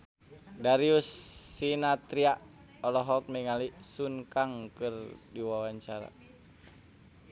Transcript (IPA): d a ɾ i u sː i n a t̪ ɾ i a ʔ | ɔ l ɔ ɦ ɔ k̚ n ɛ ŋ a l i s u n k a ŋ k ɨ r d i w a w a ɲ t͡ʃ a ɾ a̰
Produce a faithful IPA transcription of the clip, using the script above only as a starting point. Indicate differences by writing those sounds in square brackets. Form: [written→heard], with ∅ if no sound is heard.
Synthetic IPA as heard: d a ɾ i u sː i n a t̪ ɾ i a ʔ | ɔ l ɔ ɦ ɔ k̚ [n→m] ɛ ŋ a l i s u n k a ŋ k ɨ r d i w a w a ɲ t͡ʃ a ɾ a̰